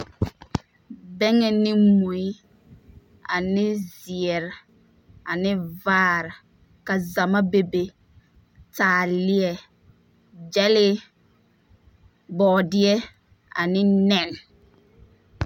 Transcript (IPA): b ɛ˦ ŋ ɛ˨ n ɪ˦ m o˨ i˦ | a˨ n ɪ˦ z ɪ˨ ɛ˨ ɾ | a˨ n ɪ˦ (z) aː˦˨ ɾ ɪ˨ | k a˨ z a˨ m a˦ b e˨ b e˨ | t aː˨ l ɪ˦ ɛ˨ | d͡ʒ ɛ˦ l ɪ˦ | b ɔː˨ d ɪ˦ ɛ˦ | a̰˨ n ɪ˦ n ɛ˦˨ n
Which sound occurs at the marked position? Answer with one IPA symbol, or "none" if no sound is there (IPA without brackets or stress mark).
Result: v